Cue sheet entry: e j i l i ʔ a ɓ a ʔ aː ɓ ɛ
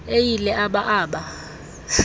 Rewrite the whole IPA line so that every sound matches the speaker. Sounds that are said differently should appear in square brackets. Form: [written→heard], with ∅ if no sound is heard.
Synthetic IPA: e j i l [i→ɛ] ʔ a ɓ a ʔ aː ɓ [ɛ→a]

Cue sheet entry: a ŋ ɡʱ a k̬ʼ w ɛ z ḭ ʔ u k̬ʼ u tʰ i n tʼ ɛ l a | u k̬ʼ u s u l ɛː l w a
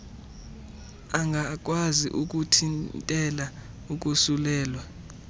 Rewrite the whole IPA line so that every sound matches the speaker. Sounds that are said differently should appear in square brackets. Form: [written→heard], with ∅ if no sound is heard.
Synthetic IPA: a ŋ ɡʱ a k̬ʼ w [ɛ→a] z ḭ ʔ u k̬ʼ u tʰ i n tʼ ɛ l a | u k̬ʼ u s u l ɛː l w a

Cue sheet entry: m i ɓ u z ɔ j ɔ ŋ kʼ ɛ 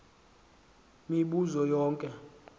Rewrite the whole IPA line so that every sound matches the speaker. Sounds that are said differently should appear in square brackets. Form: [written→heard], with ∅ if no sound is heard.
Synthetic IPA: m i ɓ u z ɔ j [ɔ→ɔː] ŋ kʼ ɛ

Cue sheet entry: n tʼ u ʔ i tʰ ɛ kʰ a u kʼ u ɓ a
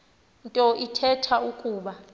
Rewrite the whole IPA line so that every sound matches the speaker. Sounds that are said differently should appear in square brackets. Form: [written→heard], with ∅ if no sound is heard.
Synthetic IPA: n tʼ [u→ɔ] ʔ i tʰ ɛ [kʰ→tʰ] a u kʼ [u→uː] ɓ a

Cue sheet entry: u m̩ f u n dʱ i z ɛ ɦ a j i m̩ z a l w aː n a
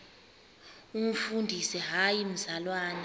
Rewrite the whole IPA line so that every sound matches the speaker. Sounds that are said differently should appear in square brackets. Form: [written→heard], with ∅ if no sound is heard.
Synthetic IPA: u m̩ f u n dʱ i [z→s] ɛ ɦ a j i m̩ z a l w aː n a

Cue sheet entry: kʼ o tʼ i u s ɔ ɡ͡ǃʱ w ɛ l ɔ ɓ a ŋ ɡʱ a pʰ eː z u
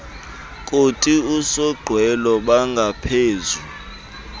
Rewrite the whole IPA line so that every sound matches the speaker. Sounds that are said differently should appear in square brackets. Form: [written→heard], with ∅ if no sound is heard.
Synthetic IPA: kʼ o tʼ i u s ɔ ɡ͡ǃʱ w ɛ l ɔ ɓ a ŋ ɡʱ a pʰ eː z u

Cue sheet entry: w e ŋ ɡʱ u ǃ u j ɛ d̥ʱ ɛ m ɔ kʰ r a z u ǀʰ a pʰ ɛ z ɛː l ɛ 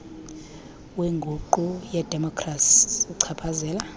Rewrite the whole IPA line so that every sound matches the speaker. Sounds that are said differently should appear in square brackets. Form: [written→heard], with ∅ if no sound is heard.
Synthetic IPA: w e ŋ ɡʱ u ǃ u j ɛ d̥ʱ ɛ m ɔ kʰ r a [z→s] u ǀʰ a pʰ [ɛ→a] z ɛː l [ɛ→a]

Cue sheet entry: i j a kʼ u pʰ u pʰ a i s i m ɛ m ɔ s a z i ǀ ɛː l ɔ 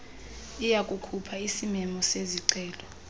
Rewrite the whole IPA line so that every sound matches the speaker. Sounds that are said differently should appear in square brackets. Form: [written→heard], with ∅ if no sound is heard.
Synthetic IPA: i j a kʼ u [pʰ→kʰ] u pʰ a i s i m ɛ m ɔ s [a→e] z i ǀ ɛː l ɔ

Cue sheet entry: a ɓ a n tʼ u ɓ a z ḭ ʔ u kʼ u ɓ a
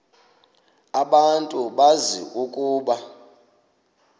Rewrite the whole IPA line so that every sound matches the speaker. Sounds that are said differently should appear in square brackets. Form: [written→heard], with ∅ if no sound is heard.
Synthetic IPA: a ɓ a n tʼ u ɓ a z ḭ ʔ u kʼ [u→uː] ɓ a

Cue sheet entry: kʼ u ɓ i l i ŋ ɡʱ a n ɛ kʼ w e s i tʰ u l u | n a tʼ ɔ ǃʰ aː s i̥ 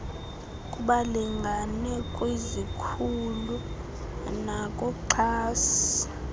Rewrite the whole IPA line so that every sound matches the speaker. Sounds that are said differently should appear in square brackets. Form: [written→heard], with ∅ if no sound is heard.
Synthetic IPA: kʼ u ɓ [i→a] l i ŋ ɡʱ a n ɛ kʼ w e [s→z] i [tʰ→kʰ] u l u | n a [tʼ→kʼ] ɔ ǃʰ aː s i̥

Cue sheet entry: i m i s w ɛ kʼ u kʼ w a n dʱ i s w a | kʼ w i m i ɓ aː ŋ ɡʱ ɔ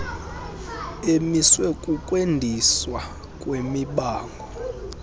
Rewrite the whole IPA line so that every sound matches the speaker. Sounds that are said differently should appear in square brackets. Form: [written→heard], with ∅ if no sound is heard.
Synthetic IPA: [i→e] m i s w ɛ kʼ u kʼ w [a→e] n dʱ i s w a | kʼ w [i→e] m i ɓ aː ŋ ɡʱ ɔ

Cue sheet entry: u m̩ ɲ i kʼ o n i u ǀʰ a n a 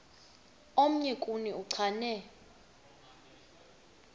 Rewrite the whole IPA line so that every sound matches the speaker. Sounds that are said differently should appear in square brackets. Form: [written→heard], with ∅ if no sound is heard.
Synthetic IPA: [u→o] m̩ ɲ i kʼ [o→u] n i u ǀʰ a n [a→ɛ]

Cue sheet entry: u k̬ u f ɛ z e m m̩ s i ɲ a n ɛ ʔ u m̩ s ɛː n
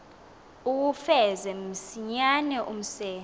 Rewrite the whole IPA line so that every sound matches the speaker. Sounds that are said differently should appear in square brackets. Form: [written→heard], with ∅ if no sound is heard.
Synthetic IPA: u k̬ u f ɛ z [e→ɛ] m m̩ s i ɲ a n ɛ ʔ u m̩ s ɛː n

